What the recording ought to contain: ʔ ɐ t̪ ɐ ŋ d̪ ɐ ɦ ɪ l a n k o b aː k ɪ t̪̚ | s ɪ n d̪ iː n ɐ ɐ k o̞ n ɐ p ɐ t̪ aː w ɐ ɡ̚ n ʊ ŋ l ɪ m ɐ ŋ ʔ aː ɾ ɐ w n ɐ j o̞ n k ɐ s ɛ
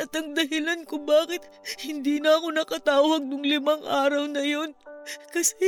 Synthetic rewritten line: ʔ ɐ t̪ ɐ ŋ d̪ ɐ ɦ ɪ l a n k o b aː k ɪ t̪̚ | h ɪ n d̪ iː n ɐ ɐ k o̞ n ɐ k ɐ t̪ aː w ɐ ɡ̚ n ʊ ŋ l ɪ m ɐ ŋ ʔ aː ɾ ɐ w n ɐ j o̞ n k ɐ s ɛ